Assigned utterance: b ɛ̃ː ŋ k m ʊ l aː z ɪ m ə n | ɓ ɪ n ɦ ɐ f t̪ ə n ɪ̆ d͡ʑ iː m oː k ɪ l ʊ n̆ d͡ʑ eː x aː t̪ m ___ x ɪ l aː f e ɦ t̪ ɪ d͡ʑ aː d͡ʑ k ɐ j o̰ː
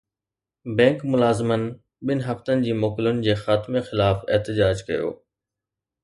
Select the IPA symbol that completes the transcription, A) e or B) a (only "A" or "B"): A